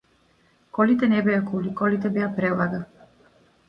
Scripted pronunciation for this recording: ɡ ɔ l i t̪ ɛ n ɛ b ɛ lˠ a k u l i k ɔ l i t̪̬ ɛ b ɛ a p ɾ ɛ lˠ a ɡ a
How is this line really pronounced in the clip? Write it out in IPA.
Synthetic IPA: k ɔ l i t̪ ɛ n ɛ b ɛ a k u l i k ɔ l i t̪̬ ɛ b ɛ a p ɾ ɛ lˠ a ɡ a